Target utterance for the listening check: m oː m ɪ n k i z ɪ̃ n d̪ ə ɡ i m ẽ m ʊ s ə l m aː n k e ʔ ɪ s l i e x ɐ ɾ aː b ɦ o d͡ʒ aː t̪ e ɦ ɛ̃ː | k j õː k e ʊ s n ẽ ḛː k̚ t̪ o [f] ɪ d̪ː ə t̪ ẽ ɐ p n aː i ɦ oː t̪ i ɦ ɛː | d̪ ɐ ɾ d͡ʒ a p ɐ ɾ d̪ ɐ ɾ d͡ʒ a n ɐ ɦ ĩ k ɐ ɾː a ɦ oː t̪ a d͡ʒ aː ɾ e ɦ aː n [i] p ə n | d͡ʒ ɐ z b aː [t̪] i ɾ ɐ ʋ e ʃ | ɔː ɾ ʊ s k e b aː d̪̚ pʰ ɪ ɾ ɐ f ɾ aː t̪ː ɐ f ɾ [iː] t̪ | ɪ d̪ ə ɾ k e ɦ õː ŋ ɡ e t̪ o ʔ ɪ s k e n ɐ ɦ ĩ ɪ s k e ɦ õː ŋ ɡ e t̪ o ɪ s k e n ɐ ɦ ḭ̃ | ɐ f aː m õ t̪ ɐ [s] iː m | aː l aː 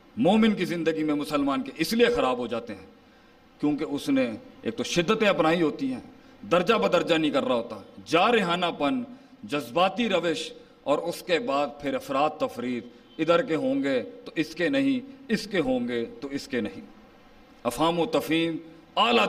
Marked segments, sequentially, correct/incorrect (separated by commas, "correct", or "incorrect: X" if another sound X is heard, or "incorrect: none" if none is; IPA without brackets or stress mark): incorrect: ʃ, incorrect: a, correct, correct, incorrect: f